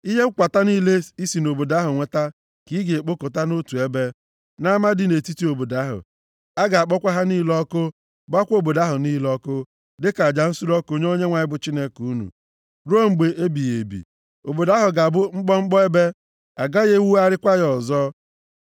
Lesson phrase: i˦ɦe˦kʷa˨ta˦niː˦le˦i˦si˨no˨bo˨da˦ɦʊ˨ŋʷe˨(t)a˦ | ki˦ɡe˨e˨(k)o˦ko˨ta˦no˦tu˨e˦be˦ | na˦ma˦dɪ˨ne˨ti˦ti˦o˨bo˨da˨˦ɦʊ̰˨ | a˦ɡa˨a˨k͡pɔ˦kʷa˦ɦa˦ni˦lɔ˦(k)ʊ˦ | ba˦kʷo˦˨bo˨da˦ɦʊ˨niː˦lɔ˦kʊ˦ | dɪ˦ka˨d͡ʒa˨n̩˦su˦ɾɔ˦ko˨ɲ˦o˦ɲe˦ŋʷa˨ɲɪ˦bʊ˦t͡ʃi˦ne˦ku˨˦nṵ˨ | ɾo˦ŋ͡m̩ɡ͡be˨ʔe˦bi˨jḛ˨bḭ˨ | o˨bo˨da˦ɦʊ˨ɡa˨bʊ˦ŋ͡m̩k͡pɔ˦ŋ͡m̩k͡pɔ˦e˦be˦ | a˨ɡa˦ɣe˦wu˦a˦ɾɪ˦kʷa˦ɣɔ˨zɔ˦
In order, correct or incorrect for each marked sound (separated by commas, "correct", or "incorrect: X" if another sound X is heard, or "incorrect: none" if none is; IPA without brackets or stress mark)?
correct, incorrect: k͡p, correct